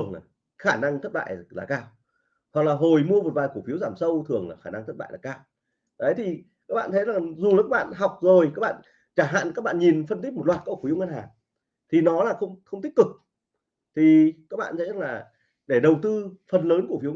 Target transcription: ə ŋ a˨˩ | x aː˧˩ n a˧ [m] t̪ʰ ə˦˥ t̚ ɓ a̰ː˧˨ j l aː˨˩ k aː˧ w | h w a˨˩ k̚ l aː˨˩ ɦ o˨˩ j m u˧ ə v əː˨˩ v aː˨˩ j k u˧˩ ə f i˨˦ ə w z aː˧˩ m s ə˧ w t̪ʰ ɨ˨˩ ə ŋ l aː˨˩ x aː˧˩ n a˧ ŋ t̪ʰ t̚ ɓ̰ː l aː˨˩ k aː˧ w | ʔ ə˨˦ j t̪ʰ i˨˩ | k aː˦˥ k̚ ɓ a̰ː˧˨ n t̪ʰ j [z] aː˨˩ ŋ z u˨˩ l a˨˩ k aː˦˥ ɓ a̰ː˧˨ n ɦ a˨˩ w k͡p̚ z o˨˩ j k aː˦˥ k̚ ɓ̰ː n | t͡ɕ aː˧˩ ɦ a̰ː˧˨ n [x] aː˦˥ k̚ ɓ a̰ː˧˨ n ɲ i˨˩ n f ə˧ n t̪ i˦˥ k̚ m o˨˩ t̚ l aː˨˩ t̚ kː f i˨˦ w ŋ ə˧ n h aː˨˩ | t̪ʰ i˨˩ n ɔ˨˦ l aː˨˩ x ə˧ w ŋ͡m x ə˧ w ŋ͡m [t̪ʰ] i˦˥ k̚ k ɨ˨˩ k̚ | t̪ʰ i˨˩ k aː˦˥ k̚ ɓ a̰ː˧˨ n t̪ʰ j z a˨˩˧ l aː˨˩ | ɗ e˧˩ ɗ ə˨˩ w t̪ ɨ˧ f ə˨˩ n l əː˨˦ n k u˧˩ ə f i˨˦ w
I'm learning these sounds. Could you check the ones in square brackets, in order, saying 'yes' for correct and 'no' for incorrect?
no, yes, no, no

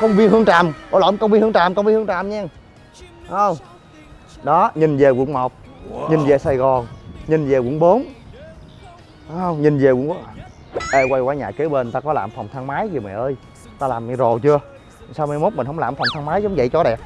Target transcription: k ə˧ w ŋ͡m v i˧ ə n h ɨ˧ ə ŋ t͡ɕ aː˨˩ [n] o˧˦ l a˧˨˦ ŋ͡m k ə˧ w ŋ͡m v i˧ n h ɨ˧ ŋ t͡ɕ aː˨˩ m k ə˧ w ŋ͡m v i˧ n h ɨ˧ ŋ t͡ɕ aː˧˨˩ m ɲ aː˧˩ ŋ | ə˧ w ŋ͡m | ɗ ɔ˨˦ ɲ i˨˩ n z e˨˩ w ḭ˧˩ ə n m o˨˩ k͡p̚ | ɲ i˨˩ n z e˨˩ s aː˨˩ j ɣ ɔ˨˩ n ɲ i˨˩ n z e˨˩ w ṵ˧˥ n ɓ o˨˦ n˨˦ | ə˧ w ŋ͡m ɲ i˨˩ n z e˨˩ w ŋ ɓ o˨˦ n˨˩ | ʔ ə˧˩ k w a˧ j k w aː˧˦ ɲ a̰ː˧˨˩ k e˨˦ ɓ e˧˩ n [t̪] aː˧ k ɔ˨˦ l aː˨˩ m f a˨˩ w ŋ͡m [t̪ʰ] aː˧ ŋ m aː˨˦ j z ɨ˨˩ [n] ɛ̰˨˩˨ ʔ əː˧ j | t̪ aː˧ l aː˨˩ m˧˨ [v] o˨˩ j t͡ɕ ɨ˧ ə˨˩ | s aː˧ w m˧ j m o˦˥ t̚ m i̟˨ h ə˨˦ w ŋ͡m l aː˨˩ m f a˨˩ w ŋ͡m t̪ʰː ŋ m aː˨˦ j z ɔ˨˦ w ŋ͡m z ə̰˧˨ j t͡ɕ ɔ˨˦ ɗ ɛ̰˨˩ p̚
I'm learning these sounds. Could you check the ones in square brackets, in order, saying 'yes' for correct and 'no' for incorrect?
no, yes, yes, no, no

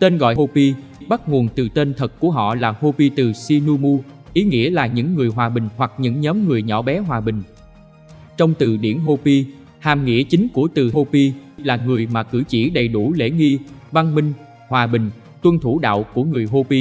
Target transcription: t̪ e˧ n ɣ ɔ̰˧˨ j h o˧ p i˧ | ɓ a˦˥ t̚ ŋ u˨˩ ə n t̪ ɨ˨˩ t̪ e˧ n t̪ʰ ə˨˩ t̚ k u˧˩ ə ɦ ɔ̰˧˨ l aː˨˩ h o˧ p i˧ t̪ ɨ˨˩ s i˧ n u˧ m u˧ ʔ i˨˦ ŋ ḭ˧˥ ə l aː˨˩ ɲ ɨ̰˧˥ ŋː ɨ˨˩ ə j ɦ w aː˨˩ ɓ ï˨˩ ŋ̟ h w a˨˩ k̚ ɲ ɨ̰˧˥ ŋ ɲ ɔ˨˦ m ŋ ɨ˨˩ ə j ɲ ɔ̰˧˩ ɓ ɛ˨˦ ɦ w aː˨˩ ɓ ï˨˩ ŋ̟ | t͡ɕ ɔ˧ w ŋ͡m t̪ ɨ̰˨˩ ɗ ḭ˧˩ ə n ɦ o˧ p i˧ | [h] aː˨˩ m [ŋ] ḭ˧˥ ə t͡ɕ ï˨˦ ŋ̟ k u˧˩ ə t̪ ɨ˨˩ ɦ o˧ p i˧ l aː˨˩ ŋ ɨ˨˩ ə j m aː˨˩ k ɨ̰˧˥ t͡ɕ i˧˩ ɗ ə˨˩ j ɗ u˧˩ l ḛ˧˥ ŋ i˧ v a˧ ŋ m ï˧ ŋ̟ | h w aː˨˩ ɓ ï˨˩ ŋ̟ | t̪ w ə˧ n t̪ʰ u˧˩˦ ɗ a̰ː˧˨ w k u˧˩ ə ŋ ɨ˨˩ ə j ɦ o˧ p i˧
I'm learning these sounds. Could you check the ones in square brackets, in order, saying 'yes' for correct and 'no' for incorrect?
yes, yes

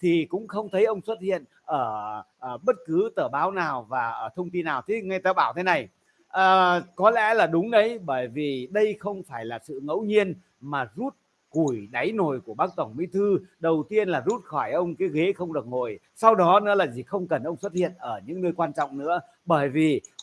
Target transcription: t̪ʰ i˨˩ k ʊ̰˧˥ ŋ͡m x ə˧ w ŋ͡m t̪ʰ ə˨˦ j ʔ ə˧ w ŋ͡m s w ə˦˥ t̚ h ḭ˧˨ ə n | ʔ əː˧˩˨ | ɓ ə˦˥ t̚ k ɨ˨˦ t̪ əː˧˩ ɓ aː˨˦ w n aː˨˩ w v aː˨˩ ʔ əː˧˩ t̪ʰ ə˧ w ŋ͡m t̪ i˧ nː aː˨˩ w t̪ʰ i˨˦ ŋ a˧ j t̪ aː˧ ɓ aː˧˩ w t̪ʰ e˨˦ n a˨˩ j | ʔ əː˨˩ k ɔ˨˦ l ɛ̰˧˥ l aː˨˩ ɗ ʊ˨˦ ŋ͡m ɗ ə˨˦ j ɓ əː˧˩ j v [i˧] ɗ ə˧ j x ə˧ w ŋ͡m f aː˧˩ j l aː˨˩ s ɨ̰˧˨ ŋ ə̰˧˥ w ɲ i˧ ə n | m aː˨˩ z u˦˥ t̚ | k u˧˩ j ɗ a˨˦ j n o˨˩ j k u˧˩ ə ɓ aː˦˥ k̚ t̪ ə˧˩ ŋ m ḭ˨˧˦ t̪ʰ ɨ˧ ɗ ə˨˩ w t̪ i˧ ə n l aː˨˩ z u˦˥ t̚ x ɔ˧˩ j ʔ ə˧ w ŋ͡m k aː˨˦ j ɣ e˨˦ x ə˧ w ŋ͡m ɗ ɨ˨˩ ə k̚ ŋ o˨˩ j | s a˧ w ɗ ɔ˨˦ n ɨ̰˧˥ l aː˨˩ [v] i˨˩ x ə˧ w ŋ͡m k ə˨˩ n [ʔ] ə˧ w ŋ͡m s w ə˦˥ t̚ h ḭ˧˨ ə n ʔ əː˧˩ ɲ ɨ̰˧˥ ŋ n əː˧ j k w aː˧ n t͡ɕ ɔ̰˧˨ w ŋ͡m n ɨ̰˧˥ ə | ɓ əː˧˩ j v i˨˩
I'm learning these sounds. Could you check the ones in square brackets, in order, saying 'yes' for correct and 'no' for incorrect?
no, no, yes

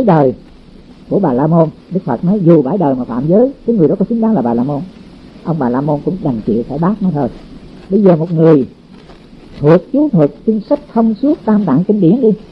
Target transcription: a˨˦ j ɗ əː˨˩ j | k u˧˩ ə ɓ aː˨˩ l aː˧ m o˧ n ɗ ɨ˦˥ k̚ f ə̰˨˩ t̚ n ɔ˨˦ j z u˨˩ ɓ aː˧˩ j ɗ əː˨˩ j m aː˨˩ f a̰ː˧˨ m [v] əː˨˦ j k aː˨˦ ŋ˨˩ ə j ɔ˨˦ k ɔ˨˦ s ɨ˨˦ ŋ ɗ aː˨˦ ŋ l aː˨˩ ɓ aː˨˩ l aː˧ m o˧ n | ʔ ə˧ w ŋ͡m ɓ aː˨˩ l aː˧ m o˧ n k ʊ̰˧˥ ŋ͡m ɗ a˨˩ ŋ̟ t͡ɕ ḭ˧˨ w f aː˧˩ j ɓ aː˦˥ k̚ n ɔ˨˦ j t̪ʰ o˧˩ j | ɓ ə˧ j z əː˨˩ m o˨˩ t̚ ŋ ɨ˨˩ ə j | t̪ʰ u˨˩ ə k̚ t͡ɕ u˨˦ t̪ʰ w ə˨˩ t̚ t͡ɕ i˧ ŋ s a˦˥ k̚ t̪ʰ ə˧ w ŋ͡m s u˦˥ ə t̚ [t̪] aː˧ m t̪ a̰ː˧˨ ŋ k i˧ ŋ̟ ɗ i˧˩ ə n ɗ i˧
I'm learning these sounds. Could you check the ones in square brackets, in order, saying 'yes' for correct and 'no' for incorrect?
no, yes

